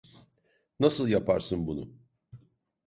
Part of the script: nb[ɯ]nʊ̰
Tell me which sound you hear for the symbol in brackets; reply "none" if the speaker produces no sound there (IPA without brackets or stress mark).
u